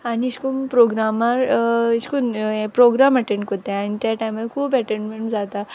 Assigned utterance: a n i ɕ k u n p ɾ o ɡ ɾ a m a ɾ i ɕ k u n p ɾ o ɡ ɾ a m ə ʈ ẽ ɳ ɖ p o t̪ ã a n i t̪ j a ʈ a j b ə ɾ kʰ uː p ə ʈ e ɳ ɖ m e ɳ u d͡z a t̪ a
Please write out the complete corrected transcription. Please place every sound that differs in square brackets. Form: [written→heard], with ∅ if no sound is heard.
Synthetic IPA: a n i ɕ k u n p ɾ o ɡ ɾ a m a ɾ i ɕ k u n p ɾ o ɡ ɾ a m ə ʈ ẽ ɳ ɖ [p→k] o t̪ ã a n i t̪ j a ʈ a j [b→m] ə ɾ kʰ uː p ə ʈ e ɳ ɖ m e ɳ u d͡z a t̪ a